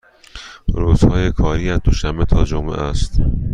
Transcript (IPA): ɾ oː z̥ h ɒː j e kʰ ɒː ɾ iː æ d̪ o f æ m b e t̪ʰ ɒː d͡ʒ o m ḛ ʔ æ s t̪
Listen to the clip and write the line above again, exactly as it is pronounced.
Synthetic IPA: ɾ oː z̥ h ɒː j e kʰ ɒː ɾ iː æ d̪ o ʃ æ m b e t̪ʰ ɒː d͡ʒ o m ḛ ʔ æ s t̪